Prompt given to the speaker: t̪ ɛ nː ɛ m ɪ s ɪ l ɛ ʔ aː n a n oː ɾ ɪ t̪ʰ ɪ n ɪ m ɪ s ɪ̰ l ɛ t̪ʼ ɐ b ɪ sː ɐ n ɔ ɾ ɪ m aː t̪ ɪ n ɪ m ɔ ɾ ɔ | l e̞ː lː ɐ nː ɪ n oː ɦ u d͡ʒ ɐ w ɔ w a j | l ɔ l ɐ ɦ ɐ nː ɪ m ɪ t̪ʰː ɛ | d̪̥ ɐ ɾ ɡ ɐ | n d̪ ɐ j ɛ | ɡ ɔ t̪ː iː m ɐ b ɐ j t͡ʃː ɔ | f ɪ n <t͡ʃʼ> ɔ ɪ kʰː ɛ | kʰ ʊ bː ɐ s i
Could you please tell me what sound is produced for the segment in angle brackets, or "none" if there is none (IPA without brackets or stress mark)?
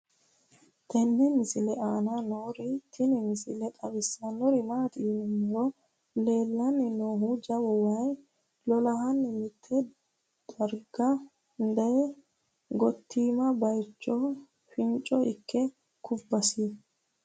t͡ʃʼ